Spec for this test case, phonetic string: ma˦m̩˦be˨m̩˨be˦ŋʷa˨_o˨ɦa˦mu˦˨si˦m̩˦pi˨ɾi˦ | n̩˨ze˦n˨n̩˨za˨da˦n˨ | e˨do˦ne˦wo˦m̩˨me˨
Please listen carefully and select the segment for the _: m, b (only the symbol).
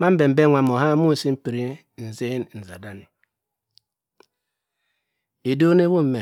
m